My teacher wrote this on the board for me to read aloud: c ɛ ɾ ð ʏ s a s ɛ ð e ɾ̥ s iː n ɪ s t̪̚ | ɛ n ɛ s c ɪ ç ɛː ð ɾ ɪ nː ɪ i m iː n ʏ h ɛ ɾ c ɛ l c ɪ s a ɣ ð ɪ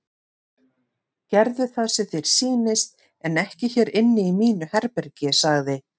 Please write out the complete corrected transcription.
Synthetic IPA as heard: c ɛ ɾ ð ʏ θ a s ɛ θ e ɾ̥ s iː n ɪ s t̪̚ | ɛ n ɛ h c ɪ ç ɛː ɾ ɪ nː ɪ i m iː n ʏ h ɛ ɾ p ɛ ɾ c ɪ s a ɣ ð ɪ